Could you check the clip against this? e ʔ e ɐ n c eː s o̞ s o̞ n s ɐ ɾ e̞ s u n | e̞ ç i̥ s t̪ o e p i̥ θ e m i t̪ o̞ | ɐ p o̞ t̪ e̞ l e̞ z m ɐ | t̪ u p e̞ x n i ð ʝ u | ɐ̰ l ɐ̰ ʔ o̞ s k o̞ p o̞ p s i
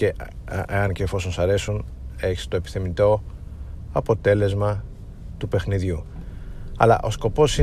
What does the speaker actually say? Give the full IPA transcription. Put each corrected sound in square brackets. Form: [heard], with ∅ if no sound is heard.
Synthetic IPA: e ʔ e ɐ n c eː [f] o̞ s o̞ n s ɐ ɾ e̞ s u n | e̞ ç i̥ s t̪ o e p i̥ θ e m i t̪ o̞ | ɐ p o̞ t̪ e̞ l e̞ z m ɐ | t̪ u p e̞ x n i ð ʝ u | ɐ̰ l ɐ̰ ʔ o̞ s k o̞ p o̞ [∅] s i